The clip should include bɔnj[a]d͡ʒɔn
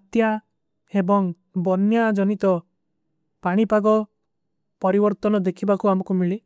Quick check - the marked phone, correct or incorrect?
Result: correct